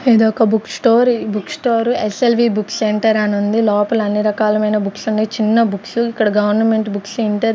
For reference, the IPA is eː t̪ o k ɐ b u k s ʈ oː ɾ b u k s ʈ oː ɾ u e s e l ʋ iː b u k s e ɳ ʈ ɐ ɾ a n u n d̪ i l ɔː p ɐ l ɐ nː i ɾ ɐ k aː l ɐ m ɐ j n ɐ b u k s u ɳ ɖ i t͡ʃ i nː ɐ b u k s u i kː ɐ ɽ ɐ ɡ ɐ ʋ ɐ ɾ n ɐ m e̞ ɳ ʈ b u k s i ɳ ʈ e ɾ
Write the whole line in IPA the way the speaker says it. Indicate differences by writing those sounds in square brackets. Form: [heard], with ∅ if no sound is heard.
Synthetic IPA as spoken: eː [d̪] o k ɐ b u k s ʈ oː ɾ b u k s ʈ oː ɾ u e s e l ʋ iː b u k s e ɳ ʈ ɐ ɾ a n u n d̪ i l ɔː p ɐ l ɐ nː i ɾ ɐ k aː l ɐ m ɐ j n ɐ b u k s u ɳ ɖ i t͡ʃ i nː ɐ b u k s u i kː ɐ ɽ ɐ ɡ ɐ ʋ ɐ ɾ n ɐ m e̞ ɳ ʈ b u k s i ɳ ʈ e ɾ